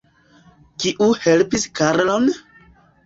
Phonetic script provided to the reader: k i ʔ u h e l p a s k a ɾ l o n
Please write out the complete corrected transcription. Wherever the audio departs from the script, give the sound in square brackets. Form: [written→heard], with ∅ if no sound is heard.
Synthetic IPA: k i ʔ u h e l p [a→i] s k a ɾ l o n